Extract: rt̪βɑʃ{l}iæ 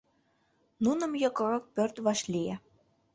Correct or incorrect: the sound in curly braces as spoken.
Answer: correct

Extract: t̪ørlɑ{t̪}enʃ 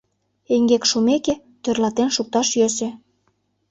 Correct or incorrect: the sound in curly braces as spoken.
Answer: correct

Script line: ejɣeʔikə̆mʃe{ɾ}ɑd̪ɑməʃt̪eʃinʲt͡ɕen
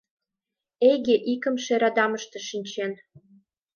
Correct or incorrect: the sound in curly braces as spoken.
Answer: correct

